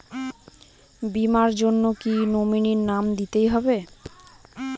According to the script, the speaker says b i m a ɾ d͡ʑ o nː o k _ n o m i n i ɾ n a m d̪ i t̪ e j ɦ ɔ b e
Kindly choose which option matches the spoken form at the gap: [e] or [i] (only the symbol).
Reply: i